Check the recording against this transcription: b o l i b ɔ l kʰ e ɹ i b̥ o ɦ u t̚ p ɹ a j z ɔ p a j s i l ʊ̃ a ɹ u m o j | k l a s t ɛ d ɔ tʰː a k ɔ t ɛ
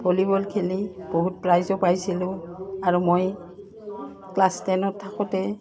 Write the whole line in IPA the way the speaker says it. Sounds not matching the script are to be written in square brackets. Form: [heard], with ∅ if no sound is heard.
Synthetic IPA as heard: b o l i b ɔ l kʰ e [l] i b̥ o ɦ u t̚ p ɹ a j z ɔ p a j s i l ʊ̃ a ɹ u m o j | k l a s t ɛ [n] ɔ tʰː a k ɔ t ɛ